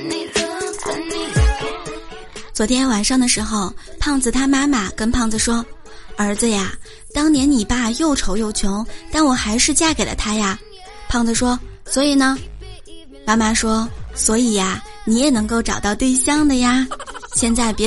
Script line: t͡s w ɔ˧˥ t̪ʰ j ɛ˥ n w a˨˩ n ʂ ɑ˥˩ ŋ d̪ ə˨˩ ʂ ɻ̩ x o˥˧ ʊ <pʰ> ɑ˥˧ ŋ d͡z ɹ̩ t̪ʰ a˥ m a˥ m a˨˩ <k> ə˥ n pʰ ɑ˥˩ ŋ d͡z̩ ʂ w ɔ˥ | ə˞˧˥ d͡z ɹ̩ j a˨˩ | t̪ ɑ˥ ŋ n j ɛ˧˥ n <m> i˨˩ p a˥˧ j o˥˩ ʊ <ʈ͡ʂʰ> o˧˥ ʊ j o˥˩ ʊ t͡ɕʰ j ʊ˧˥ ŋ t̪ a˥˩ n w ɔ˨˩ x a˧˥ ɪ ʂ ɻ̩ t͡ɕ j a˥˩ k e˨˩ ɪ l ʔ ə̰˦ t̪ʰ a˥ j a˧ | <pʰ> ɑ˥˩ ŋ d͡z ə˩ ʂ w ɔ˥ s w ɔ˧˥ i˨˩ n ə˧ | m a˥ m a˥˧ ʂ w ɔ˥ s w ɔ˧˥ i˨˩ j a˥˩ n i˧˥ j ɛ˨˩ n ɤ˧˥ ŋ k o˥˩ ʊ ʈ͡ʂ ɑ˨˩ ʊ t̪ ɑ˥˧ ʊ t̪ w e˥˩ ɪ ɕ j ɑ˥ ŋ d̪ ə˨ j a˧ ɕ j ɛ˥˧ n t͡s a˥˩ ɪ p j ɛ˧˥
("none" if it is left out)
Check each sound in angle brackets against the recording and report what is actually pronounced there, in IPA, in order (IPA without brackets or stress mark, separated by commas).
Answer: pʰ, k, n, ʈ͡ʂʰ, pʰ